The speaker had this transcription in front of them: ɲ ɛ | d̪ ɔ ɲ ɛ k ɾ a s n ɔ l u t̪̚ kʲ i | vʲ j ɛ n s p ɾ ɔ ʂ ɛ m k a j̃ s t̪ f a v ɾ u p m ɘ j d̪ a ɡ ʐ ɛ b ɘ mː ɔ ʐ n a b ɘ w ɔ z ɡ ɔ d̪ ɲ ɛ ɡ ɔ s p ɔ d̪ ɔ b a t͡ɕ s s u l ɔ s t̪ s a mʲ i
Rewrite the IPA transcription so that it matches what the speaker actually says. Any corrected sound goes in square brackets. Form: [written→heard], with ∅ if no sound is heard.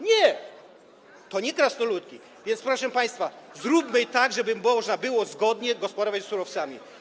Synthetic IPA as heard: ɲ ɛ | [d̪→t̪] ɔ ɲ ɛ k ɾ a s n ɔ l u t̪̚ kʲ i | vʲ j ɛ n s p ɾ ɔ ʂ ɛ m [k→p] a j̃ s t̪ f a [v→z] ɾ u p m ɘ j [d̪→t̪] a ɡ ʐ ɛ b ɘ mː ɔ ʐ n a b ɘ w ɔ z ɡ ɔ d̪ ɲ ɛ ɡ ɔ s p ɔ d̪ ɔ [b→v] a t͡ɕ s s u [l→ɾ] ɔ [s→f] t̪ s a mʲ i